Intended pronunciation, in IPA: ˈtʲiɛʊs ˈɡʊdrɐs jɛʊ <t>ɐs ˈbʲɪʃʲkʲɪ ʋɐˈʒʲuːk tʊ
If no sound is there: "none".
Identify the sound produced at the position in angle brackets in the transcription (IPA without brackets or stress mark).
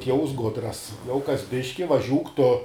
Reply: k